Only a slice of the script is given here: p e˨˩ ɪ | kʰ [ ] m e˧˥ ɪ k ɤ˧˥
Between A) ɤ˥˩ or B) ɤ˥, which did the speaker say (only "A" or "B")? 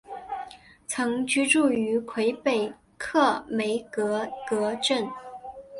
A